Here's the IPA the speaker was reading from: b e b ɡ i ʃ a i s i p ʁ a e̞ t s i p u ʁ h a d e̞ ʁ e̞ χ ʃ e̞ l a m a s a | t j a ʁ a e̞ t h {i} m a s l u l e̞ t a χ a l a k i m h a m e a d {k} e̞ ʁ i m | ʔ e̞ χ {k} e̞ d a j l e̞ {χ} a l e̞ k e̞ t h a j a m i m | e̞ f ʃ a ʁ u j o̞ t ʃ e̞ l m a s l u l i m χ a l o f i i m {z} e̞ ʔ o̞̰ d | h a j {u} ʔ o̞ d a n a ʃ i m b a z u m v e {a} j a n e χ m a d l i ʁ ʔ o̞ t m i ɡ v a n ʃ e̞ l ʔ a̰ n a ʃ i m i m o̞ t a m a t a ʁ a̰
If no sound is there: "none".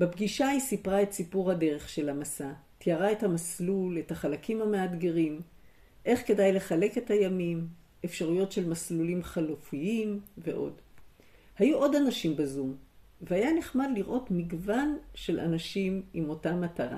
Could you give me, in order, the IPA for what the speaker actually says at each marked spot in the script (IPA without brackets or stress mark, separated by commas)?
a, ɡ, k, χ, v, u, a